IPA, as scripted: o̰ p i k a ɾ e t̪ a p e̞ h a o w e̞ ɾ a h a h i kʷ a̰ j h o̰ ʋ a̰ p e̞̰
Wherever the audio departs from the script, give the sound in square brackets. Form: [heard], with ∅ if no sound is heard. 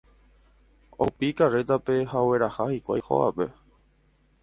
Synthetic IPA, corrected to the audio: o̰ p i k a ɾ e t̪ a p e̞ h a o w e̞ ɾ a h a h i kʷ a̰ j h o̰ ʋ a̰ p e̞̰